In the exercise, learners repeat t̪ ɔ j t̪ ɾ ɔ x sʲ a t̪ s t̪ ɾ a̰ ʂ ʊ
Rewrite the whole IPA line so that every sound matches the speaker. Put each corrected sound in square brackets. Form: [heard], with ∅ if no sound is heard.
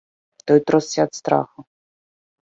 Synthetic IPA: t̪ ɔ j t̪ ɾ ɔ [s] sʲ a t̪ s t̪ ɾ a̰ [x] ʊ